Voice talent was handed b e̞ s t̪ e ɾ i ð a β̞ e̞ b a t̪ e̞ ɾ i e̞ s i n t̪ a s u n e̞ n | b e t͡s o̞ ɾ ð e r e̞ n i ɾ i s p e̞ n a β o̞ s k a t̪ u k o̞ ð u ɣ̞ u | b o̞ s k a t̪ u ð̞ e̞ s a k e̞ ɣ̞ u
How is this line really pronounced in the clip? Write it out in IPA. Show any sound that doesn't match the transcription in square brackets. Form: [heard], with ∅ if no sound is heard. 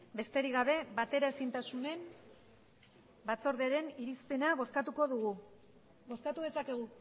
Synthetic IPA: b e̞ s t̪ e ɾ i [ɣ] a β̞ e̞ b a t̪ e̞ ɾ [a] e̞ s i n t̪ a s u n e̞ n | b [a] t͡s o̞ ɾ ð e [ɾ] e̞ n i ɾ i s p e̞ n a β o̞ s k a t̪ u k o̞ ð u ɣ̞ u | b o̞ s k a t̪ u ð̞ e̞ s a k e̞ ɣ̞ u